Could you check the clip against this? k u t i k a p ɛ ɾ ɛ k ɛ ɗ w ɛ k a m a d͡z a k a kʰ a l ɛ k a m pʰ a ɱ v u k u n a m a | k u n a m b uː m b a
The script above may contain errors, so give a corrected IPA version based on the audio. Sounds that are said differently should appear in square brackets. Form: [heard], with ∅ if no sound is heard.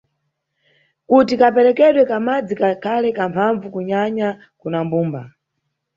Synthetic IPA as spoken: k u t i k a p ɛ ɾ ɛ k ɛ ɗ w ɛ k a m a d͡z [i] k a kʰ a l ɛ k a m pʰ a ɱ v u k u [ɲ] a [ɲ] a | k u n a m b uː m b a